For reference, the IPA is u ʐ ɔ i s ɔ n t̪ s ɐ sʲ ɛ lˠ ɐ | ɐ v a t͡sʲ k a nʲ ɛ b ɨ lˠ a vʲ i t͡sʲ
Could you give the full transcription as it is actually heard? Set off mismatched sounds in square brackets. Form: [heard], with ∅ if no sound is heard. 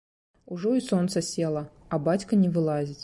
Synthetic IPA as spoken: u ʐ ɔ i s ɔ n t̪ s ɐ sʲ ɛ lˠ ɐ | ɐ [b] a t͡sʲ k [ɐ] nʲ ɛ [v] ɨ lˠ a [zʲ] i t͡sʲ